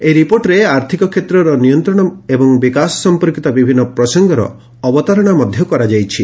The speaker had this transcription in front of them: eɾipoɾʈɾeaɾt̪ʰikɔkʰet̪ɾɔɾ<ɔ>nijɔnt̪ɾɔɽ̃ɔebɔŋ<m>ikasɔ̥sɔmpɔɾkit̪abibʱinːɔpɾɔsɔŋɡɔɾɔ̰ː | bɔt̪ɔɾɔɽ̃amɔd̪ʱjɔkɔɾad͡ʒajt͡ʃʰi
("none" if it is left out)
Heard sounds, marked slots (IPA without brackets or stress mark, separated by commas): ɔ, b